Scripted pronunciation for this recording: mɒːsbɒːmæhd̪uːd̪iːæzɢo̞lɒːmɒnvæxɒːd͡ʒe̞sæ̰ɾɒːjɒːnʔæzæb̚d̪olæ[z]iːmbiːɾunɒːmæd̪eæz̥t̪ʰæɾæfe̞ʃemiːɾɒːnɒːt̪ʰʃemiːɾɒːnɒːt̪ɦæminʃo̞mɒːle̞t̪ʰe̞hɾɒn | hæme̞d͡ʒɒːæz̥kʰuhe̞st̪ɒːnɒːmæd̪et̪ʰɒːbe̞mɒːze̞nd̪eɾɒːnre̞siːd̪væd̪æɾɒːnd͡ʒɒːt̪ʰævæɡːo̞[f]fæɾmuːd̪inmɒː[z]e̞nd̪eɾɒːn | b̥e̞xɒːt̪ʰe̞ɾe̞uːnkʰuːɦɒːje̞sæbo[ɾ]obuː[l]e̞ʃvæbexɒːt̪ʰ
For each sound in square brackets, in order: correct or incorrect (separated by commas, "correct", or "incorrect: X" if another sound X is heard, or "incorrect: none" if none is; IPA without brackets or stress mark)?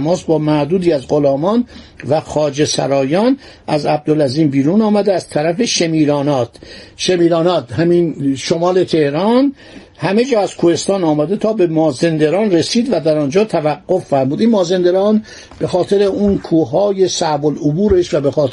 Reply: correct, correct, correct, incorrect: l, incorrect: ɾ